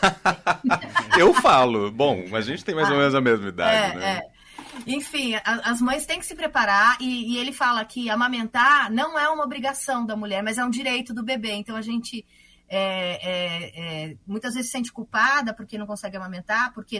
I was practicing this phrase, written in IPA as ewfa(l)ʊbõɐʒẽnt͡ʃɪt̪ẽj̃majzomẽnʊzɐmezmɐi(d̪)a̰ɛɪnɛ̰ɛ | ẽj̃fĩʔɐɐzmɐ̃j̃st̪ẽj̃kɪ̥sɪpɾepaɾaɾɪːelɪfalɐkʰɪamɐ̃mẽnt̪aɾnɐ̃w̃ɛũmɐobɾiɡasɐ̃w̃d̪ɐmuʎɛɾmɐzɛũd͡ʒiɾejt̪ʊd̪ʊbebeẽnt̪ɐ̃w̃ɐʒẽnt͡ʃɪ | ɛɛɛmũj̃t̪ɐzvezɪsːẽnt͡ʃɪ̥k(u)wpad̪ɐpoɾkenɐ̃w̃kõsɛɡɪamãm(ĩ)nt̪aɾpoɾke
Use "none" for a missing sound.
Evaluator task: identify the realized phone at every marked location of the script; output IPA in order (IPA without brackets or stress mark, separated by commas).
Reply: l, d̪, u, ẽ